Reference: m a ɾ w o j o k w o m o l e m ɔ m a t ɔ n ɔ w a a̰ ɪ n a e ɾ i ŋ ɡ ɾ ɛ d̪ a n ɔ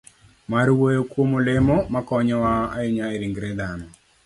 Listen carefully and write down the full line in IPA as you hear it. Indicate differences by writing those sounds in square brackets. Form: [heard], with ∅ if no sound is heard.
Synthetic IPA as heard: m a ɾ w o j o k w o m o l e m ɔ m a [k] ɔ [ɲ] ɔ w a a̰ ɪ [ɲ] a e ɾ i ŋ ɡ ɾ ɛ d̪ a n ɔ